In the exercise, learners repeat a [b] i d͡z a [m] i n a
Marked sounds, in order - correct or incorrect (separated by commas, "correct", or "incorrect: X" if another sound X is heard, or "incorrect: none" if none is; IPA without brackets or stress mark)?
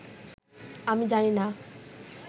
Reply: incorrect: m, incorrect: n